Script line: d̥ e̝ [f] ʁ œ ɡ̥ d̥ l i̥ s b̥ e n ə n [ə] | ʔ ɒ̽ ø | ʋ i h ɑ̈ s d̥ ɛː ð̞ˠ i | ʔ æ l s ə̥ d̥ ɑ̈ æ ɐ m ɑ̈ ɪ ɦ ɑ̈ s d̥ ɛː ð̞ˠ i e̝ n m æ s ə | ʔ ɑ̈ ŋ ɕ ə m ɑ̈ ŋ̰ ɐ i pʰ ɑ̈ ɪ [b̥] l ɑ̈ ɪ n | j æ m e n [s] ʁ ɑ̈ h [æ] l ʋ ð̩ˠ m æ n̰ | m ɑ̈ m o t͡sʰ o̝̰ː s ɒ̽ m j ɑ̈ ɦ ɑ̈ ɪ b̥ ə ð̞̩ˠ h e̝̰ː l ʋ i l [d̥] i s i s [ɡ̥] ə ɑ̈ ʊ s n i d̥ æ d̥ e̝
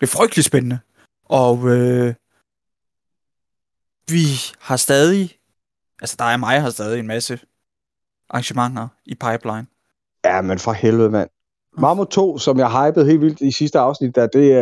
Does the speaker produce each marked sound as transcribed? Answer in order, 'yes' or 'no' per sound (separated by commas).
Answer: yes, yes, yes, no, no, yes, no